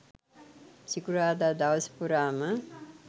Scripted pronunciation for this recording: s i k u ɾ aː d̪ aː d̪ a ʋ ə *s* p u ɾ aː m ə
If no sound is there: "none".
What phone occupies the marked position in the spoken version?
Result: s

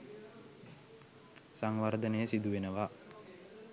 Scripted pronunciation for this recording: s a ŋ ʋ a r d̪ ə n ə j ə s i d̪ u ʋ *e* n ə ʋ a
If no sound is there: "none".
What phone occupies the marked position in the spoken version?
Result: e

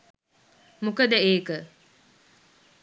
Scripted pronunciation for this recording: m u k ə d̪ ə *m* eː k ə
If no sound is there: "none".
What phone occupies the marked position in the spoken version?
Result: none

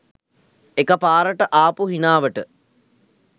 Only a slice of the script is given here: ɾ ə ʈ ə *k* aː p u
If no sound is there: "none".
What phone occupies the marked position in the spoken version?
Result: ʔ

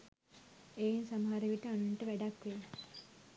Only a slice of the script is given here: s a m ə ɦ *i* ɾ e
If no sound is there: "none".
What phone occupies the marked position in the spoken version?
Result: a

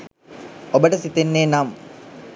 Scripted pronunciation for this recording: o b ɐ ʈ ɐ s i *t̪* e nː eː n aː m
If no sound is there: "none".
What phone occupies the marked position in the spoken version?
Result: t̪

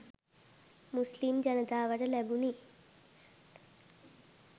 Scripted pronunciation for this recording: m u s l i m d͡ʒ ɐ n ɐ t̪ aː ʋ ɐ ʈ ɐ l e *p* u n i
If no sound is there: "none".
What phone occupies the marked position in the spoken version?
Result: b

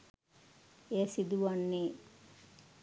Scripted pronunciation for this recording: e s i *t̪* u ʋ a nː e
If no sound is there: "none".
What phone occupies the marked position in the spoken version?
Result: d̪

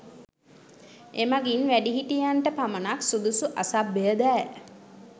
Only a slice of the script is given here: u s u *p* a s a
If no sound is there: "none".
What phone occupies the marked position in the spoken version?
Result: ʔ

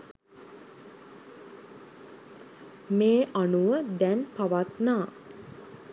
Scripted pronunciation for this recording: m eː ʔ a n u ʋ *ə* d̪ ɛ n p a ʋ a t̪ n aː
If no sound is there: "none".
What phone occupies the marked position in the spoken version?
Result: ə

